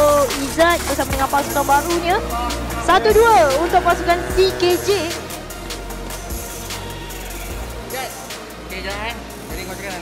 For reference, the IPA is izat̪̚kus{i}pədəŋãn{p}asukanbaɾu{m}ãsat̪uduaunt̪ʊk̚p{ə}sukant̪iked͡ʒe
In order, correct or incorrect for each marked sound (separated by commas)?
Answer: incorrect, correct, incorrect, incorrect